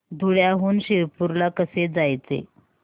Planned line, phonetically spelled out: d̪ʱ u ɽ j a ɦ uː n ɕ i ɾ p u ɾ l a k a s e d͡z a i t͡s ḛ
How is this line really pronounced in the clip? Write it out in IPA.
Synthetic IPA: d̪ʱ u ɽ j a ɦ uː n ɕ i ɾ p u ɾ l a k ə s e d͡z a j t͡s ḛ